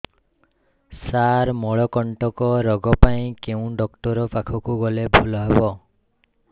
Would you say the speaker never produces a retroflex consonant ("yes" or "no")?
no